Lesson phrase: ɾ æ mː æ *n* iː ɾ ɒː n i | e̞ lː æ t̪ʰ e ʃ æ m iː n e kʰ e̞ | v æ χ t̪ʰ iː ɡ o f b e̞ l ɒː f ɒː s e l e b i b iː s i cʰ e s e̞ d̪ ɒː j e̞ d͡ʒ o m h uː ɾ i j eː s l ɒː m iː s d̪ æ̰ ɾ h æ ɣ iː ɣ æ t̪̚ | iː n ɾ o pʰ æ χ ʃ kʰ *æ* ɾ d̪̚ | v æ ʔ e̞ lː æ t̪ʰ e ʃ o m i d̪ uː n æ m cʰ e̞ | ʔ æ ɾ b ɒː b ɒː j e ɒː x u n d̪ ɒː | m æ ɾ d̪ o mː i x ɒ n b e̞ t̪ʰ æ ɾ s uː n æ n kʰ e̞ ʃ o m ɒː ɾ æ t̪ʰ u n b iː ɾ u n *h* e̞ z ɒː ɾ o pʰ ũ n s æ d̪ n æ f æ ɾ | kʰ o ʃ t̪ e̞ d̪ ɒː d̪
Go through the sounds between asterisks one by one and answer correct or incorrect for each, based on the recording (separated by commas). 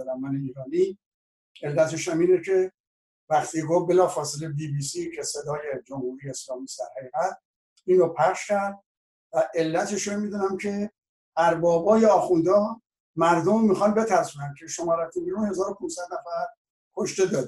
correct, correct, correct